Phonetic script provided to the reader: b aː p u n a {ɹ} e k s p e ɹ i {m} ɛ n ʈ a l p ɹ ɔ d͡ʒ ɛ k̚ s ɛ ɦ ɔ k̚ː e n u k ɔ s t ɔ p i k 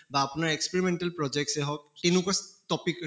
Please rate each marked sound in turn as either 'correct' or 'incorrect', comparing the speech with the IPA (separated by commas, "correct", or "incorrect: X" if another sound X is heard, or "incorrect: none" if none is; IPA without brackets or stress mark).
correct, correct